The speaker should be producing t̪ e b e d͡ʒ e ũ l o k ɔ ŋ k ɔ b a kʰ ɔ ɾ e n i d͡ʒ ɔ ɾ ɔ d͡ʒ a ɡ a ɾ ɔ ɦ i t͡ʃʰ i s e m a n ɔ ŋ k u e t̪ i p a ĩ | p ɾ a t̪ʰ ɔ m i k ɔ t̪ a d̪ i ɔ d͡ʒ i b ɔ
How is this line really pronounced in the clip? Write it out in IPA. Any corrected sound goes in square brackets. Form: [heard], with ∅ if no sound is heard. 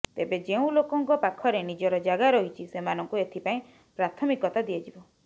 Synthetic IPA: t̪ e b e d͡ʒ e ũ l o k ɔ ŋ k ɔ [p] a kʰ ɔ ɾ e n i d͡ʒ ɔ ɾ ɔ d͡ʒ a ɡ a ɾ ɔ ɦ i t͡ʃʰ i s e m a n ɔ ŋ k u e [t̪ʰ] i p a ĩ | p ɾ a t̪ʰ ɔ m i k ɔ t̪ a d̪ i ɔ d͡ʒ i b ɔ